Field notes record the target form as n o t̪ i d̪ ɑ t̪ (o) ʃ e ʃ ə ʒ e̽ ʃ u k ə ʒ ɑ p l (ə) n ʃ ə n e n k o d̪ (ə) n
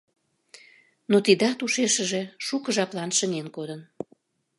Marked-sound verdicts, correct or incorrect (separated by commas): incorrect, incorrect, correct